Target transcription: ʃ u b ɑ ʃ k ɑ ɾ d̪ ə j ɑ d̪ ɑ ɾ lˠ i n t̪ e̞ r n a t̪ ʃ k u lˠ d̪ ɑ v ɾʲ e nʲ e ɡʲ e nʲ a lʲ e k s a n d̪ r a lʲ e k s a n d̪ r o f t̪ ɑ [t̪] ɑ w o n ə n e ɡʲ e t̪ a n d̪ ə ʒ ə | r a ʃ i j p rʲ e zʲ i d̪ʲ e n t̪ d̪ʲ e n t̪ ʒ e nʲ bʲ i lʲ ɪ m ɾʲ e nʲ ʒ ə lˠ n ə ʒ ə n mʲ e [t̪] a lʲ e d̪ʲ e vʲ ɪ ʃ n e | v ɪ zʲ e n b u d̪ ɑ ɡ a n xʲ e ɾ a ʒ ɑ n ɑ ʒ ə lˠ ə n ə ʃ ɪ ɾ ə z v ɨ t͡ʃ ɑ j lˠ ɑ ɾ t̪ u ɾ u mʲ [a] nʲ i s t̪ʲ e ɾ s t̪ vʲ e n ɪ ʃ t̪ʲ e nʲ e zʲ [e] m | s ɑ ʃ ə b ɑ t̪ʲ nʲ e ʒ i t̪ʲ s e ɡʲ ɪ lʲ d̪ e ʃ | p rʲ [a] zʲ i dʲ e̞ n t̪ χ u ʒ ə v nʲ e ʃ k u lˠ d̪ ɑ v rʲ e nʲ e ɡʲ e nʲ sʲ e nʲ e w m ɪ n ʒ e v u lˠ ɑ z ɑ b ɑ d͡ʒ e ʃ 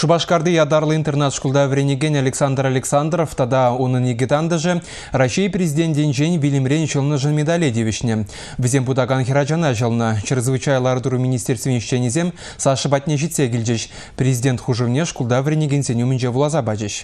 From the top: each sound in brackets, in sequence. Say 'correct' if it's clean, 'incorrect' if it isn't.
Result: incorrect: d̪, incorrect: d̪, incorrect: i, correct, incorrect: e

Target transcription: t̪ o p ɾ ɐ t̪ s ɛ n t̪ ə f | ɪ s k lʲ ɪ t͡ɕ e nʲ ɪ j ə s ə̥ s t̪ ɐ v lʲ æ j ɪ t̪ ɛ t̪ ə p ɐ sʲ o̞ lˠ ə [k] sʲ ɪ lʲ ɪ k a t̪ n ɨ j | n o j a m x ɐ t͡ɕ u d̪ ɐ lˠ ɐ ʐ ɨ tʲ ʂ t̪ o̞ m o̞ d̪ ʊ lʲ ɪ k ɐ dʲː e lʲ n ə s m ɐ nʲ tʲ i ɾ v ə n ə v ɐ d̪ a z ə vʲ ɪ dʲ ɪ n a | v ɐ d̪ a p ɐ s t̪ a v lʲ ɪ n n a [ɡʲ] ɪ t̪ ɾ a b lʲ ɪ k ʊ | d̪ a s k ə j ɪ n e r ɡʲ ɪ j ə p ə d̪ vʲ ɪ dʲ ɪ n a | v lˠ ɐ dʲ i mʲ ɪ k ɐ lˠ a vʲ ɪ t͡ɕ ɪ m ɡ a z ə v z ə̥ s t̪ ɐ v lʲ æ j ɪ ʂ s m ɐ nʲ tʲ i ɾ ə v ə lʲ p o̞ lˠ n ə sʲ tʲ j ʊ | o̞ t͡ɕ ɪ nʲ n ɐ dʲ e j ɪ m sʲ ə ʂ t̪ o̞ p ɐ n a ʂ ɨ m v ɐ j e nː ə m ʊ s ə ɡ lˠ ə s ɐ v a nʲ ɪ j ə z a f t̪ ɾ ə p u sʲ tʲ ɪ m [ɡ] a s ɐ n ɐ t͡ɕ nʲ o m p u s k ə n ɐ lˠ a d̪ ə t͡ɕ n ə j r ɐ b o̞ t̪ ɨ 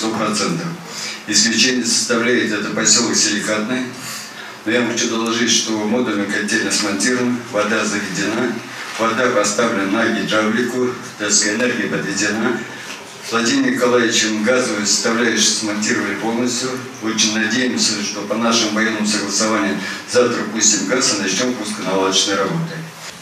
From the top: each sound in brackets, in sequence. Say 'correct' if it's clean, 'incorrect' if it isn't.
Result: correct, correct, correct

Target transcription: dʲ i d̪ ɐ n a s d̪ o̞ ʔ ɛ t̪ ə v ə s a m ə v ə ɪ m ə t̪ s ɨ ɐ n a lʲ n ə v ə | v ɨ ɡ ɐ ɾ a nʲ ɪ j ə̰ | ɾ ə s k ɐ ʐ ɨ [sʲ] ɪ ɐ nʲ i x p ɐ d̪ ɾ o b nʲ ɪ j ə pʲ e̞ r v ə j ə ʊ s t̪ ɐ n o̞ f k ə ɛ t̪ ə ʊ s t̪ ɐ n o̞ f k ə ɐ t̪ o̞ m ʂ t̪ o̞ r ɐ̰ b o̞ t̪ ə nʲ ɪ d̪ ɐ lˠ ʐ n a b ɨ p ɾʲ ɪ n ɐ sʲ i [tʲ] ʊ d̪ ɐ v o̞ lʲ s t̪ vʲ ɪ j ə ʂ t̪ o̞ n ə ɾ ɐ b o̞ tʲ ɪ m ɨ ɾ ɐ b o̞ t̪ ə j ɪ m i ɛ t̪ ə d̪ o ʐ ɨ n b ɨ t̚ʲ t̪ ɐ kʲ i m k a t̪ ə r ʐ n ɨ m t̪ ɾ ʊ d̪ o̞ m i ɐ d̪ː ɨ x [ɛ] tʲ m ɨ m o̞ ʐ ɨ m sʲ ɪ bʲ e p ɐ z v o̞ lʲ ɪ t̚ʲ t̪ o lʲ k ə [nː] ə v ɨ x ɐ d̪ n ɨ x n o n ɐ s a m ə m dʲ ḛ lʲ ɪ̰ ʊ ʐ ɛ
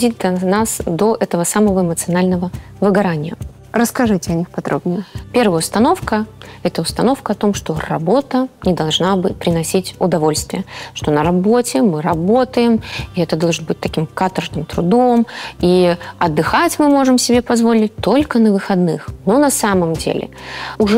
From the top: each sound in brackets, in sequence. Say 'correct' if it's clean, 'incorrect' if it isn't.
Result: incorrect: tʲ, correct, incorrect: a, incorrect: n

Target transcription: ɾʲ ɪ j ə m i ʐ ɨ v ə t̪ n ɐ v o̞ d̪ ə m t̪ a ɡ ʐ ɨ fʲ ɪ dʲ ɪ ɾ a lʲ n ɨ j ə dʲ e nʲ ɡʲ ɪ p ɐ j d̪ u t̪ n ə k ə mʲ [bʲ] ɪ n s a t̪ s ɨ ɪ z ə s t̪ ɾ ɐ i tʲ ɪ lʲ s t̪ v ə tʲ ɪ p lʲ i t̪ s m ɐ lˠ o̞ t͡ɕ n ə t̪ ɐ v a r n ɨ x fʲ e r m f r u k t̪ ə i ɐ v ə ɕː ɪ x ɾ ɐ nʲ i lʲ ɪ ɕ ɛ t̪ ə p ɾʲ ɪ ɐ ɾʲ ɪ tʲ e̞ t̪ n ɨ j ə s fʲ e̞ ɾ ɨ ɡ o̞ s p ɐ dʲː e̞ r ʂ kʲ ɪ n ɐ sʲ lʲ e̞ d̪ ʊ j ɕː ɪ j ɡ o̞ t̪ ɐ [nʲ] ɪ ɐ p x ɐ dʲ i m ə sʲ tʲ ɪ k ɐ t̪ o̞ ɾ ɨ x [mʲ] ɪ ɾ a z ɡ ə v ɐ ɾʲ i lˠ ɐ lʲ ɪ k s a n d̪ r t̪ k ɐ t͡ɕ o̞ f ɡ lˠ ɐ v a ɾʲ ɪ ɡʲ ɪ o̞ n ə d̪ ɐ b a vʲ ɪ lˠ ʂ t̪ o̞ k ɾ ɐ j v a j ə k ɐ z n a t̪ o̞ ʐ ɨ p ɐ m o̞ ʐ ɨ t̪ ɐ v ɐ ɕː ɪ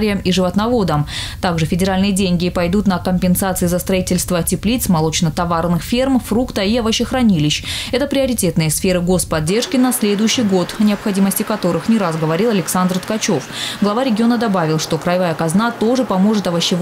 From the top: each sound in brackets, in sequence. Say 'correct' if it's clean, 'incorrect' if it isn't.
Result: incorrect: pʲ, correct, incorrect: nʲ

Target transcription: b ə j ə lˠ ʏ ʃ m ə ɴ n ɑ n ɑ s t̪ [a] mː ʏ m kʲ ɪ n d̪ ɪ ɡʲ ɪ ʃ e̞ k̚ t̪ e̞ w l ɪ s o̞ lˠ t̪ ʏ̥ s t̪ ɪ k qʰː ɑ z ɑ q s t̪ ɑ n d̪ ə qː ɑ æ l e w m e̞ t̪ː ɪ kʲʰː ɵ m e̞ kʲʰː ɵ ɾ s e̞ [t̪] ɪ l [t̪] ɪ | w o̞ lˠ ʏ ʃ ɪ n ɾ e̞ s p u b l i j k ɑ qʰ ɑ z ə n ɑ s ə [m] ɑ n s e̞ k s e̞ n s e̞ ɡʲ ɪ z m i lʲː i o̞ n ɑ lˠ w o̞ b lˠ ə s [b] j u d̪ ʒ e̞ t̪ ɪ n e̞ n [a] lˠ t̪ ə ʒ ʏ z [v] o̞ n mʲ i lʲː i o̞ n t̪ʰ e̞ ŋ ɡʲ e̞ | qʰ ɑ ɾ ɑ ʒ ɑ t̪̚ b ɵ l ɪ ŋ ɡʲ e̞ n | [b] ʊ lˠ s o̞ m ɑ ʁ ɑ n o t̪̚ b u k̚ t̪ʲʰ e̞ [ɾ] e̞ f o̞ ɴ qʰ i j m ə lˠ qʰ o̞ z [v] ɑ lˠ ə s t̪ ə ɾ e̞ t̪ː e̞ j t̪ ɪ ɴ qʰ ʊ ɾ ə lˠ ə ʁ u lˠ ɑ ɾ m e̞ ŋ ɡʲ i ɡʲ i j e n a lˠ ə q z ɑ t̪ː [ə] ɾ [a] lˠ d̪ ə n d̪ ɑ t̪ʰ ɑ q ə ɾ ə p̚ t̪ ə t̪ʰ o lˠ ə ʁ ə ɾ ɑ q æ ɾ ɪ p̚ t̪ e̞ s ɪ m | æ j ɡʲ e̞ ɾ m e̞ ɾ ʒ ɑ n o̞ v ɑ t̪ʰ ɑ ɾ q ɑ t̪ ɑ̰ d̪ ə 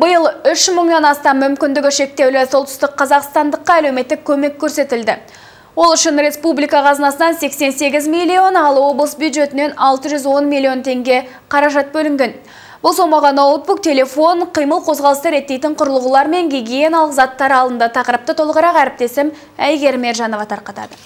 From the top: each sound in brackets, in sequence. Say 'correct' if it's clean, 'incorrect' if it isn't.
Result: incorrect: ɑ, correct, incorrect: d̪, incorrect: n, correct, incorrect: ɑ, incorrect: w, correct, incorrect: l, incorrect: ʁ, incorrect: ɑ, incorrect: ɑ

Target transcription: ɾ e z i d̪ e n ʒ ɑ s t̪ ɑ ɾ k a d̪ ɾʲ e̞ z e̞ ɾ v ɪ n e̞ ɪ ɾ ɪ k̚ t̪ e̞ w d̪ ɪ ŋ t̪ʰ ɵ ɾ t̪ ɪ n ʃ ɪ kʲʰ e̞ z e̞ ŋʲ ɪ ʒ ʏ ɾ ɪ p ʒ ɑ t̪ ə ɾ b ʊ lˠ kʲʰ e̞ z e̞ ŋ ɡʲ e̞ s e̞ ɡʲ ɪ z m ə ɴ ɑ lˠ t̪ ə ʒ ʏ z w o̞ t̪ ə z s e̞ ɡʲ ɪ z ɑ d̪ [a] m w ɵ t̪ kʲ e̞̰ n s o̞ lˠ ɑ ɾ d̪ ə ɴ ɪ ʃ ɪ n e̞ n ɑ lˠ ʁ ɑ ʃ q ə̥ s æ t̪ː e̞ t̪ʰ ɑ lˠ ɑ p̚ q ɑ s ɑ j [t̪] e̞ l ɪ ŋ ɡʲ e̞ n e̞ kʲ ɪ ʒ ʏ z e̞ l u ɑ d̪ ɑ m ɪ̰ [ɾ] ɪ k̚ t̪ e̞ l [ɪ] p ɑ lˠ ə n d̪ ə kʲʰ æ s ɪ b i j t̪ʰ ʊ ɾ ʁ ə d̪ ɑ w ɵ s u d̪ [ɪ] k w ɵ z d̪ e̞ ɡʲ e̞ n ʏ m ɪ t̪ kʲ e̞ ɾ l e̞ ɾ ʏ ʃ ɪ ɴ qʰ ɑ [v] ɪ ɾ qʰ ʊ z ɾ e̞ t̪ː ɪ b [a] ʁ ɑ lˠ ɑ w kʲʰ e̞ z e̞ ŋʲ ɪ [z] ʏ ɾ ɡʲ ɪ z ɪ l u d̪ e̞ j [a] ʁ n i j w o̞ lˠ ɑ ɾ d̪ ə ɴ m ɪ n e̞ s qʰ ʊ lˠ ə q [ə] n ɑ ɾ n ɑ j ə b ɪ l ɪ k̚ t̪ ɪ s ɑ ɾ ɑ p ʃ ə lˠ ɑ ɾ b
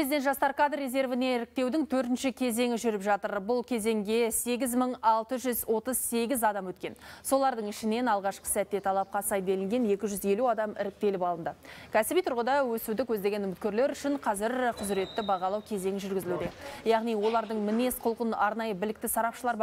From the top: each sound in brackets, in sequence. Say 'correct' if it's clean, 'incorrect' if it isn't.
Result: incorrect: ɑ, incorrect: d̪, correct, correct, correct, incorrect: z, incorrect: ɑ, incorrect: ʒ, incorrect: ɑ, correct

